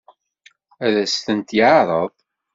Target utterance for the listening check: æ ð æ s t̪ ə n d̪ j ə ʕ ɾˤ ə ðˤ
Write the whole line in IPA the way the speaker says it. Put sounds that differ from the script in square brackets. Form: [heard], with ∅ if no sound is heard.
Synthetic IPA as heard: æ ð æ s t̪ ə n [t̪] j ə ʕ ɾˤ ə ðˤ